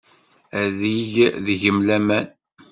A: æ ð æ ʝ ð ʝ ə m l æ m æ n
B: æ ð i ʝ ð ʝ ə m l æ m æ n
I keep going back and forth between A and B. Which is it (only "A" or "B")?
B